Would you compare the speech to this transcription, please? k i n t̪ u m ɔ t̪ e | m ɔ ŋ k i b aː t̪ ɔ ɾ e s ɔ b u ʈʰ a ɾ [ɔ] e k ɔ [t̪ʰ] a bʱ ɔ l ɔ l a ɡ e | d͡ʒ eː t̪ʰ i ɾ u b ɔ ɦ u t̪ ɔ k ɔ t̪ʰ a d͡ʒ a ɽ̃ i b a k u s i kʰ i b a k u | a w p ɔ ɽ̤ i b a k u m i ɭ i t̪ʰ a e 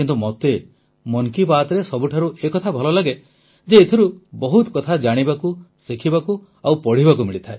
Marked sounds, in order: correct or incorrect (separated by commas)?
incorrect, correct